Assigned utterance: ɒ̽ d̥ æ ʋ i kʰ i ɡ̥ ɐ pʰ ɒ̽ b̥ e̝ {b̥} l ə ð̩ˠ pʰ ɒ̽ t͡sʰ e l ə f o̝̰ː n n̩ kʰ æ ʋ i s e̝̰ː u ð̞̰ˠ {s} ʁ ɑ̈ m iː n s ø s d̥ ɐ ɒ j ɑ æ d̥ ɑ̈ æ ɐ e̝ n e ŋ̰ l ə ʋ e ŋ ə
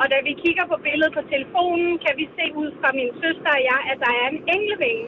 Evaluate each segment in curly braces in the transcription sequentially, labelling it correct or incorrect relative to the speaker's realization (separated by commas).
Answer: incorrect, incorrect